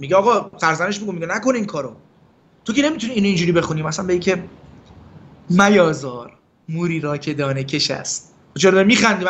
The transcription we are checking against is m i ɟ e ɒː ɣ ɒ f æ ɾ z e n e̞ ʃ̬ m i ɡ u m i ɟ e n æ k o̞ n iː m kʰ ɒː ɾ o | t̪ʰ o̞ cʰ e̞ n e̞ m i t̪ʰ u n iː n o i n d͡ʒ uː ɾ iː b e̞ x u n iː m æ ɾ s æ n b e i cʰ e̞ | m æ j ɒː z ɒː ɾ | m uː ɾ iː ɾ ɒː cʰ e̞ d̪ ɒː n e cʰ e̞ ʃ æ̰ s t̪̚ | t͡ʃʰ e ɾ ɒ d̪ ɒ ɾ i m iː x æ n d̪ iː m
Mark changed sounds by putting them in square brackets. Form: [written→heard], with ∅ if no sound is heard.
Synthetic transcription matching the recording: m i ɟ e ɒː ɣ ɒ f æ ɾ z [e→æ] n e̞ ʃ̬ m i ɡ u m i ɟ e n æ k o̞ n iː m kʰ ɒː ɾ o | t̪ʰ o̞ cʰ e̞ n e̞ m i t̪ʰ u n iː n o i n d͡ʒ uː ɾ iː b e̞ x u n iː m æ [ɾ→∅] s æ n b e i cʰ e̞ | m æ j ɒː z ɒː ɾ | m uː ɾ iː ɾ ɒː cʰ e̞ d̪ ɒː n e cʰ e̞ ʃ æ̰ s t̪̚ | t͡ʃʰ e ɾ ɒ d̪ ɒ ɾ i m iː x æ n d̪ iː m